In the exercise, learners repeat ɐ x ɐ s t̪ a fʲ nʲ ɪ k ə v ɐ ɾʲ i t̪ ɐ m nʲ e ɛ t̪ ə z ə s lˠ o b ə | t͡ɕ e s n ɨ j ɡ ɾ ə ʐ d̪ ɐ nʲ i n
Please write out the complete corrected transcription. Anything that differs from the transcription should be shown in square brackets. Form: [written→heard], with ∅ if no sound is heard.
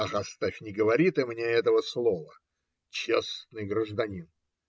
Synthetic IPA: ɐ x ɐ s t̪ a fʲ nʲ ɪ [k→ɡ] ə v ɐ ɾʲ i t̪ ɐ m nʲ e ɛ t̪ ə [z→v] ə s lˠ o [b→v] ə | t͡ɕ e s n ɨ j ɡ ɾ ə ʐ d̪ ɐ nʲ i n